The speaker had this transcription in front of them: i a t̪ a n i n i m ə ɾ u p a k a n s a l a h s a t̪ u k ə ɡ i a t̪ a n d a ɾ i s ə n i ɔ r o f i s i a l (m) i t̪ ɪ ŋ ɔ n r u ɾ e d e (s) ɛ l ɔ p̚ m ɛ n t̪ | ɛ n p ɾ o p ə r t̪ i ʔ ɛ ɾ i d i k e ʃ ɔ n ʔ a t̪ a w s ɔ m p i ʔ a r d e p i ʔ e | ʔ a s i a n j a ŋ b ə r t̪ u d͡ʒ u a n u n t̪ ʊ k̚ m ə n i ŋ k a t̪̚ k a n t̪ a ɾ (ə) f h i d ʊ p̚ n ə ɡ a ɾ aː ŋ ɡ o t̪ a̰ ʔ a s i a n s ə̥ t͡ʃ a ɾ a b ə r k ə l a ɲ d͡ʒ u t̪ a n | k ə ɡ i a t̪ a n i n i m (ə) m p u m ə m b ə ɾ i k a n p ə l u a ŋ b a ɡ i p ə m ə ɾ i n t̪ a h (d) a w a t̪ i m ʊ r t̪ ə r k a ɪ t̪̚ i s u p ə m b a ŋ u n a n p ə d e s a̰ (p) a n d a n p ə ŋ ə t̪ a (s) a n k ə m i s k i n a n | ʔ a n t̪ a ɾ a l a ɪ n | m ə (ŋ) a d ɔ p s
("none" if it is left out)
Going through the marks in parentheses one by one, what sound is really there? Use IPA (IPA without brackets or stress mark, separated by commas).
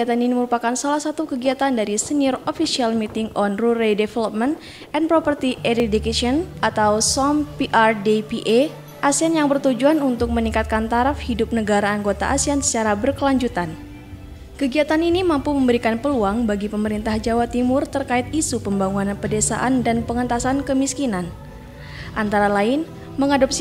m, f, a, a, d͡ʒ, ʔ, s, ŋ